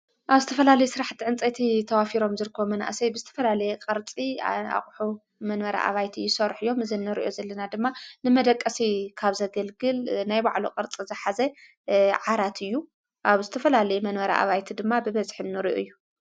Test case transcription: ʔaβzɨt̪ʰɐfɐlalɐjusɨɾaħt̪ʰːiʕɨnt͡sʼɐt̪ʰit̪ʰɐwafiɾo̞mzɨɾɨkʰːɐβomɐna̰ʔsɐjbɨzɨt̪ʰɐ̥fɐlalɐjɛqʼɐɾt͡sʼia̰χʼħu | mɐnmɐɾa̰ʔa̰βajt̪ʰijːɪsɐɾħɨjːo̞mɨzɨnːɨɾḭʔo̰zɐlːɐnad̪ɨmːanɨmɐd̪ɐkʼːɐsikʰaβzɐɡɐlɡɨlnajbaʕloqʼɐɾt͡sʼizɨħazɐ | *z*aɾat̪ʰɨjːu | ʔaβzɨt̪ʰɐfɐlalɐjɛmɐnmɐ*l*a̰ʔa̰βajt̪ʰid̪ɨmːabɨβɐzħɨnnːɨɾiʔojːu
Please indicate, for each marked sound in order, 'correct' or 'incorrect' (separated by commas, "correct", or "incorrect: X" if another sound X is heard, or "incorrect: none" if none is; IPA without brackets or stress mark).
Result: incorrect: ʕ, incorrect: ɾ